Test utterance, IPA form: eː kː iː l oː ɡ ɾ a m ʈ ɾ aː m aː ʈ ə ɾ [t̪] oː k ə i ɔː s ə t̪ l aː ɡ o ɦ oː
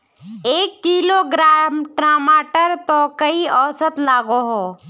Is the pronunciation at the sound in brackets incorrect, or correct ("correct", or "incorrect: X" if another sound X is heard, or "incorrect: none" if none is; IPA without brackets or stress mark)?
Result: correct